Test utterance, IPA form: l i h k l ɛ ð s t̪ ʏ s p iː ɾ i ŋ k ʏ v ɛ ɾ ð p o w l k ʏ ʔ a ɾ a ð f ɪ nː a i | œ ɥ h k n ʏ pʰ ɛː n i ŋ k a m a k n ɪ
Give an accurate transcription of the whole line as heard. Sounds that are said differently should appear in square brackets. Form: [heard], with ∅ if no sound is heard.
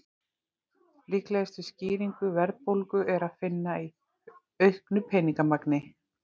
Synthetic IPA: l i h k l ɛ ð s t̪ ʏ s [c] iː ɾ i ŋ k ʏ v ɛ ɾ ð p o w l k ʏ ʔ [ɛ] ɾ a ð f ɪ nː a i | œ ɥ h k n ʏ pʰ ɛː n i ŋ k a m a k n ɪ